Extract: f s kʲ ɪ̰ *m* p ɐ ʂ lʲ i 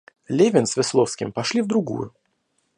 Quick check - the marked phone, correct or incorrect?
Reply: correct